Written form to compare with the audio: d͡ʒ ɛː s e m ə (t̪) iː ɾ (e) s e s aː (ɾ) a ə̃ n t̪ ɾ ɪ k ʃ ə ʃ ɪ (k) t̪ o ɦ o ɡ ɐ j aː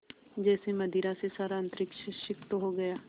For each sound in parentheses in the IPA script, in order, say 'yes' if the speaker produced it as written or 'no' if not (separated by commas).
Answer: no, no, yes, yes